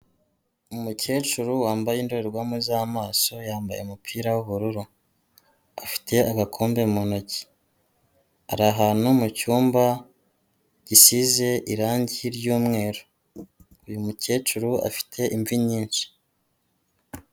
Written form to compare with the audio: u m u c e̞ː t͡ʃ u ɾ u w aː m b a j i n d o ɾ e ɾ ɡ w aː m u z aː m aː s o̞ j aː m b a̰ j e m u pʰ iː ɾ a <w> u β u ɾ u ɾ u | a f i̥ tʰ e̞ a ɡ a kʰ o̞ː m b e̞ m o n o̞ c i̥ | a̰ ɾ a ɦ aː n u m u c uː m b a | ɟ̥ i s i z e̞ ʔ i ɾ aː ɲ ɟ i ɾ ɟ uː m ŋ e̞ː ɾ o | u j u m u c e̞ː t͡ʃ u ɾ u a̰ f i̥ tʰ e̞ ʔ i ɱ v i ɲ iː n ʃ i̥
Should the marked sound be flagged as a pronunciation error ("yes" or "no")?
no